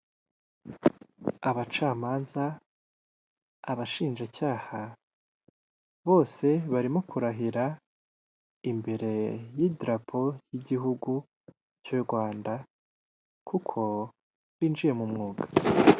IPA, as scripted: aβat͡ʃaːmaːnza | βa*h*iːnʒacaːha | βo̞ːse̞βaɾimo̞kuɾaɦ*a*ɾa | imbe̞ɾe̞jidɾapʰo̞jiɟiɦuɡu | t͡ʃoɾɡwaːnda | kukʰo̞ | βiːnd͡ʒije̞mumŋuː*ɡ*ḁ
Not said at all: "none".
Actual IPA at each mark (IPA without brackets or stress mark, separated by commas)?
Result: ʃ, i, ɡ